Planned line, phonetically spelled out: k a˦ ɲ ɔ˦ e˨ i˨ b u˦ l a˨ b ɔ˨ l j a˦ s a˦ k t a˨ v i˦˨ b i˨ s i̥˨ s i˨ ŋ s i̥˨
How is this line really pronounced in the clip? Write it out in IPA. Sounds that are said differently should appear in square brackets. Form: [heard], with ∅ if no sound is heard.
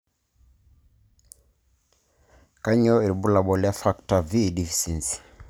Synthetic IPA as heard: k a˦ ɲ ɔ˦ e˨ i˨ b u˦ l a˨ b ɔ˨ l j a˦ [f] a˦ k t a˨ v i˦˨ [d] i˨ [f] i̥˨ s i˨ [n] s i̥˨